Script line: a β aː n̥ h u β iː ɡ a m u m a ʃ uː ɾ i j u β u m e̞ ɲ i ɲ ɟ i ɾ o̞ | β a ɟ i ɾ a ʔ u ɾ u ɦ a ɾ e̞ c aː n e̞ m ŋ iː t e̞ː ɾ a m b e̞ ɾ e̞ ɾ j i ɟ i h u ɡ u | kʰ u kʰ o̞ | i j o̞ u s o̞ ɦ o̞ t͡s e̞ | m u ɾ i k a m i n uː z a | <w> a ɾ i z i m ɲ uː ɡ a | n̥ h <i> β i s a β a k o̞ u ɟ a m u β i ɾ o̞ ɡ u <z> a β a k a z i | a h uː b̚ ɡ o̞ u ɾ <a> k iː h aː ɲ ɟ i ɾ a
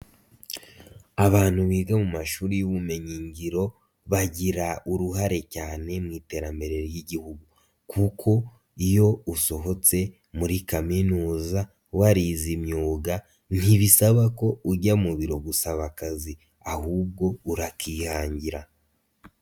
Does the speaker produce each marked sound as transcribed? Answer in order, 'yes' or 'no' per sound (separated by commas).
yes, yes, no, yes